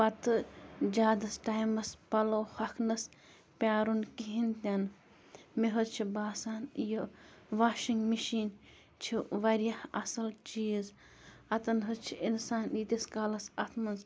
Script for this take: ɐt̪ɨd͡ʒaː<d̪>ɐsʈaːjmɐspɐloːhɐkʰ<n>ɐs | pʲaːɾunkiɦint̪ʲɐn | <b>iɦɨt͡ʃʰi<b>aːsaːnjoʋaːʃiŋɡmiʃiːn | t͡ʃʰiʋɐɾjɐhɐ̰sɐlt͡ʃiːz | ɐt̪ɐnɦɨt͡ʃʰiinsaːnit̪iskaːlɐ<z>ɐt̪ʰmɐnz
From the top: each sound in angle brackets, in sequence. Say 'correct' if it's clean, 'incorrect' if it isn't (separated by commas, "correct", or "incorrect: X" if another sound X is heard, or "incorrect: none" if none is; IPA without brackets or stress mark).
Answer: correct, correct, incorrect: m, correct, incorrect: s